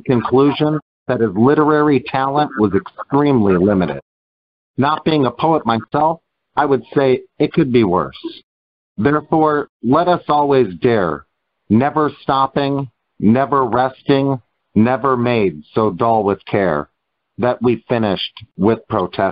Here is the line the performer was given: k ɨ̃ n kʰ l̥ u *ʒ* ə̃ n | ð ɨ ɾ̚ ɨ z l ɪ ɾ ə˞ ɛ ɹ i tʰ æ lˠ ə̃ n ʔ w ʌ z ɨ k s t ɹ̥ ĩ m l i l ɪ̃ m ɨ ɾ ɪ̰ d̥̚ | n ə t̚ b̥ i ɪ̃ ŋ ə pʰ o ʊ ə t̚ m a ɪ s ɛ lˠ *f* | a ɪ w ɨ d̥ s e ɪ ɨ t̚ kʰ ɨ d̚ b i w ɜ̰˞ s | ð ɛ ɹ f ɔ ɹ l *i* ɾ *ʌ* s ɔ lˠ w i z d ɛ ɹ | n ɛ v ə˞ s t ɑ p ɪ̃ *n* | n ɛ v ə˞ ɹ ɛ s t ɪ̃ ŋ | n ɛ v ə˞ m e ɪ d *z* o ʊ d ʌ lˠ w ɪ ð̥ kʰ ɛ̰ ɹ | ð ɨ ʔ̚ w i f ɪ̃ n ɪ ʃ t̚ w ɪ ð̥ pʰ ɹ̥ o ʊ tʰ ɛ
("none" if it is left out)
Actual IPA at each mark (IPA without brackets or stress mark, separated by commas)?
ʒ, f, ɛ, ʌ, ŋ, s